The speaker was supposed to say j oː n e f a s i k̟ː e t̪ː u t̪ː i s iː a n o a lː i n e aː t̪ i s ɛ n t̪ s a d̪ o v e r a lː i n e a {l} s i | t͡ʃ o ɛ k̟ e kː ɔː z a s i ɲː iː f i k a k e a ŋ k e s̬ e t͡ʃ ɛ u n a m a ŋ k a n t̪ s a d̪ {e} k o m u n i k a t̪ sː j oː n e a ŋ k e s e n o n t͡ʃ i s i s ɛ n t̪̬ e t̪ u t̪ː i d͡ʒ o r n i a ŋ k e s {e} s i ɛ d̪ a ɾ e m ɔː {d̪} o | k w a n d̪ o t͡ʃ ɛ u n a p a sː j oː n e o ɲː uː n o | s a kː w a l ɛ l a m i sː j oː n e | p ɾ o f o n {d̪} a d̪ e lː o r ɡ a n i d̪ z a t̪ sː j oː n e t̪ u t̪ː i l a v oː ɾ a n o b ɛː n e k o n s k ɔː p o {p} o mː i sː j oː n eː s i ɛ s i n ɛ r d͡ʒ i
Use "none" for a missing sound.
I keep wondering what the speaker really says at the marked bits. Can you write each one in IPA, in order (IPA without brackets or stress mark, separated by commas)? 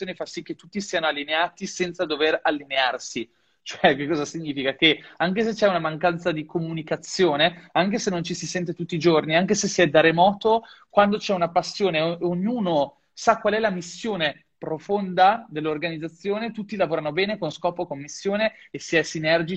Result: r, i, e, t̪, d̪, k